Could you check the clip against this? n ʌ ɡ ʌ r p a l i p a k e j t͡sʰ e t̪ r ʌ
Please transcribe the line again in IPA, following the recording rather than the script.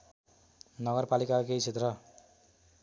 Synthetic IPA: n ʌ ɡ ʌ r p a l i k a k e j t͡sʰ e t̪ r ʌ